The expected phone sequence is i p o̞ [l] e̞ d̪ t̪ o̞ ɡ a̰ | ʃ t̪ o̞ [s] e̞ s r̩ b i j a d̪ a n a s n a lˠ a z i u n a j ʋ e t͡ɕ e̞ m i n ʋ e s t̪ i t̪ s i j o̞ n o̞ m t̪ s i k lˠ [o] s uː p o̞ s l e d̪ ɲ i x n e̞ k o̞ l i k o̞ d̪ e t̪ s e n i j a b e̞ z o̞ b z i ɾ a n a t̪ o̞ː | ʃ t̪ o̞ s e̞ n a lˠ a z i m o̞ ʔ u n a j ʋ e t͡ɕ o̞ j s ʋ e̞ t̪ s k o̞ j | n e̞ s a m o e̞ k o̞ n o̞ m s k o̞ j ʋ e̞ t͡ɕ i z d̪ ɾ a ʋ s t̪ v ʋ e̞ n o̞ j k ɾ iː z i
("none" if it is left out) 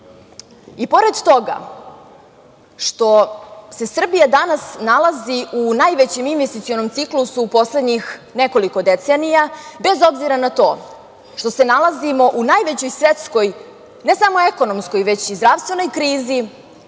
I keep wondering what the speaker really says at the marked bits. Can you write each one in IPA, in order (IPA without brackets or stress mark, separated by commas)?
ɾ, s, u